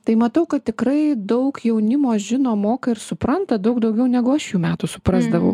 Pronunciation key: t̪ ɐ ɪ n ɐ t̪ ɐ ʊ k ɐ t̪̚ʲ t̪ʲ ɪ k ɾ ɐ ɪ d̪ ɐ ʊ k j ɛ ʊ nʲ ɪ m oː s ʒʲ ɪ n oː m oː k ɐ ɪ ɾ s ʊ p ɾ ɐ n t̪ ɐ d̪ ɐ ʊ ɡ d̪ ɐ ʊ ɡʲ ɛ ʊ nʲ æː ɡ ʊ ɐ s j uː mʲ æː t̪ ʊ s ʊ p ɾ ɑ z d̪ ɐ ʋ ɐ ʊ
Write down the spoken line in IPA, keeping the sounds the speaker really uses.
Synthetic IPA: t̪ ɐ ɪ m ɐ t̪ ɐ ʊ k ɐ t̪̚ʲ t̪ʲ ɪ k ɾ ɐ ɪ d̪ ɐ ʊ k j ɛ ʊ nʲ ɪ m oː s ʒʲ ɪ n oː m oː k ɐ ɪ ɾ s ʊ p ɾ ɐ n t̪ ɐ d̪ ɐ ʊ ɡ d̪ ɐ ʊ ɡʲ ɛ ʊ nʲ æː ɡ ʊ ɐ ʃ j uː mʲ æː t̪ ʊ s ʊ p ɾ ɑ z d̪ ɐ ʋ ɐ ʊ

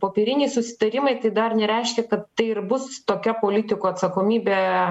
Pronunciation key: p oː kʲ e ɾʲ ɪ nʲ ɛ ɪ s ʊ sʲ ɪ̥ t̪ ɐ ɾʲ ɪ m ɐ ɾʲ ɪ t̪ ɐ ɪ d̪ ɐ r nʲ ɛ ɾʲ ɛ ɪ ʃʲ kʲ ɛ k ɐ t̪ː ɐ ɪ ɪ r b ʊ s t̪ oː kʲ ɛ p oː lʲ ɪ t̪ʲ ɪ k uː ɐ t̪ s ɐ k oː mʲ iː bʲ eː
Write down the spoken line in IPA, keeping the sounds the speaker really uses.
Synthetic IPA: p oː pʲ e ɾʲ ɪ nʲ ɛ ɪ s ʊ sʲ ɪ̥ t̪ ɐ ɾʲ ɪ m ɐ ɪ t̪ ɐ ɪ d̪ ɐ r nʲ ɛ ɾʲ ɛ ɪ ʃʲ kʲ ɛ k ɐ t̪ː ɐ ɪ ɪ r b ʊ s t̪ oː kʲ ɛ p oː lʲ ɪ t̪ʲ ɪ k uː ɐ t̪ s ɐ k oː mʲ iː bʲ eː

